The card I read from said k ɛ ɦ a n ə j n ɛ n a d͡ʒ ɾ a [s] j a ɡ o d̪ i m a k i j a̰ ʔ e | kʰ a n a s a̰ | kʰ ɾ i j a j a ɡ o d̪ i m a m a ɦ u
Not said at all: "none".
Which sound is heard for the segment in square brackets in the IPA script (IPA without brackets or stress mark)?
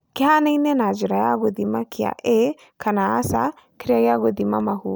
none